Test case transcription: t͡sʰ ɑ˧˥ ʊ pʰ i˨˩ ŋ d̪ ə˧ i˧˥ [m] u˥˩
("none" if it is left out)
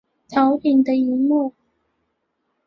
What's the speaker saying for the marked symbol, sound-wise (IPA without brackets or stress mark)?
m